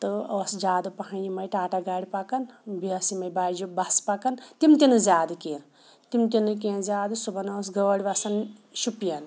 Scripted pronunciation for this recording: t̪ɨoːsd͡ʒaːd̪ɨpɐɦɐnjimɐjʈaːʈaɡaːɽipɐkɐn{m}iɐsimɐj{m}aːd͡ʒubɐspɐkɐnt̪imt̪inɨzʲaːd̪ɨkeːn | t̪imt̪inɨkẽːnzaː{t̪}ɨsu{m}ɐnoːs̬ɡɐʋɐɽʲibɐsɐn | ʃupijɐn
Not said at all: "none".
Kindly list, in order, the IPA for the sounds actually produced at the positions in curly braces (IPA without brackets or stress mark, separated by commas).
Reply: b, b, d̪, b